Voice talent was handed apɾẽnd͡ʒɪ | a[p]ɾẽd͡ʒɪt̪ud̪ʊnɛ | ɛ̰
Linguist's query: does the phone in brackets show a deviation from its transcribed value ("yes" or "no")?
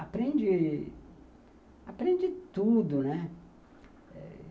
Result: no